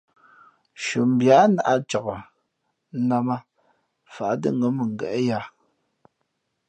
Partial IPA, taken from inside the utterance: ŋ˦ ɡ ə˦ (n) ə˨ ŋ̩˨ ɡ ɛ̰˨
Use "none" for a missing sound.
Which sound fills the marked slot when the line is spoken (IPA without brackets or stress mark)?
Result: m